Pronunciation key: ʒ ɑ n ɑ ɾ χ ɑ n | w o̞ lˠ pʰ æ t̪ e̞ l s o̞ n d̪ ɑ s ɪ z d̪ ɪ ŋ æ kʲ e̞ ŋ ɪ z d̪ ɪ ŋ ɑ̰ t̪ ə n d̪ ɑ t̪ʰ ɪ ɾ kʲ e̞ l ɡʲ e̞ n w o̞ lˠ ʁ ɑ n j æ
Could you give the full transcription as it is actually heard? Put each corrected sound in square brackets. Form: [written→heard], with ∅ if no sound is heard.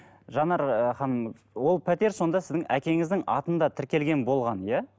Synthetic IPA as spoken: ʒ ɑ n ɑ ɾ χ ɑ n | w o̞ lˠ pʰ æ t̪ e̞ [l→ɾ] s o̞ n d̪ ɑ s ɪ z d̪ ɪ ŋ æ kʲ e̞ ŋ ɪ z d̪ ɪ ŋ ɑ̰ t̪ ə n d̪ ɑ t̪ʰ ɪ ɾ kʲ e̞ l ɡʲ e̞ n [w→b] o̞ lˠ ʁ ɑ n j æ